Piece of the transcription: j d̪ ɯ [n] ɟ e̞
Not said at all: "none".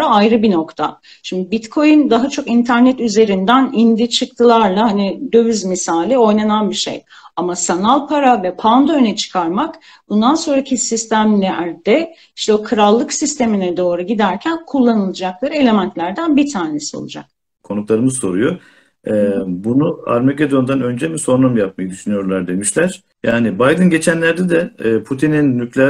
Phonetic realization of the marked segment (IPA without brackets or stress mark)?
n